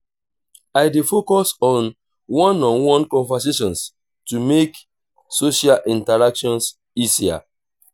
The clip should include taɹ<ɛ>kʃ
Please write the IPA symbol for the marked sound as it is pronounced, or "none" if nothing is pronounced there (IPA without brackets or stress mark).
a